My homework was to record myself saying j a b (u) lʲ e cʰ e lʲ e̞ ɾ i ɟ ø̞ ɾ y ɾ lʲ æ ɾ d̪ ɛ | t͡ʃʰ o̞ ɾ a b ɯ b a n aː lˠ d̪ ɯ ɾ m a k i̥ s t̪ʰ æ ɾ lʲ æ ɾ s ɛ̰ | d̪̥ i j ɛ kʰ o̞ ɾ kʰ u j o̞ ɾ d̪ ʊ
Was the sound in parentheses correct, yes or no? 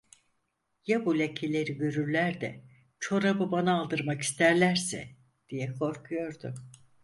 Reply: yes